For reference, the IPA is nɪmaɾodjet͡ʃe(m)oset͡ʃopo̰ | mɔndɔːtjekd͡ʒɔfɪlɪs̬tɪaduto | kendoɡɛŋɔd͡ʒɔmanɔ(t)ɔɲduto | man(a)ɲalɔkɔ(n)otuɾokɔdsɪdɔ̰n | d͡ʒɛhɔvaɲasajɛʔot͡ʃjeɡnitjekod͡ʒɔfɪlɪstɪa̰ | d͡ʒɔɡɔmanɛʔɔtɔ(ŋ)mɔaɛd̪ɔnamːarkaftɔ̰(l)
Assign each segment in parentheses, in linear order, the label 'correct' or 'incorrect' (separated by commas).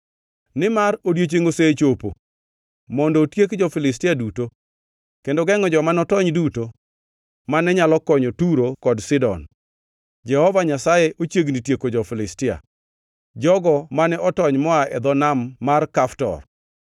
incorrect, correct, incorrect, incorrect, incorrect, incorrect